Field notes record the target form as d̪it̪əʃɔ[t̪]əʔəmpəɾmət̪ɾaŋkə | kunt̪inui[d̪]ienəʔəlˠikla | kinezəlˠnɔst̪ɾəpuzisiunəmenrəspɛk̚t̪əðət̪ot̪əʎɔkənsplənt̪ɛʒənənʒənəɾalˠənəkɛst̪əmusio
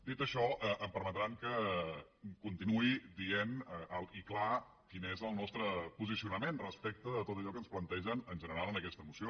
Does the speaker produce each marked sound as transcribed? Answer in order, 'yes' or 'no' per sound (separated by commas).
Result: no, yes